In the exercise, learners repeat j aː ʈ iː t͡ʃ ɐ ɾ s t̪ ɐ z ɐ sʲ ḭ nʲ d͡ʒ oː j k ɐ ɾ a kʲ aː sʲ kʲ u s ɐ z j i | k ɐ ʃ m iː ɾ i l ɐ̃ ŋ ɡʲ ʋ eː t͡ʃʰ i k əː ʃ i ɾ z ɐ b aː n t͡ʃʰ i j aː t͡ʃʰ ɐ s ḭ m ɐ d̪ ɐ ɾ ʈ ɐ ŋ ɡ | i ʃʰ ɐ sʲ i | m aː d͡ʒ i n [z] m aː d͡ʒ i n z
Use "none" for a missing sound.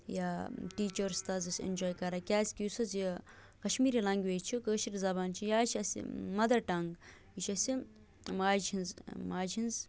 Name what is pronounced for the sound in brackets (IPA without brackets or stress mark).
z